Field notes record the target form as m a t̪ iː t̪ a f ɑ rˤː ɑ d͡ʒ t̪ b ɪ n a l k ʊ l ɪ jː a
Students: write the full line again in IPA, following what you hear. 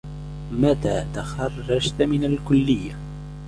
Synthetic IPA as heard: m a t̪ aː t̪ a x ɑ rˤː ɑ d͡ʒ t̪ m ɪ n a l k ʊ lː ɪ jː a